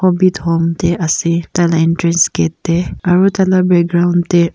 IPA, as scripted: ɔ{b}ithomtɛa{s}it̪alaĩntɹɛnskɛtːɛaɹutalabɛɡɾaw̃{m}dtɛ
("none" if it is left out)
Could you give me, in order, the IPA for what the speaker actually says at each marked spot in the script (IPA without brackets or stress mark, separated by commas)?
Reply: b, s, n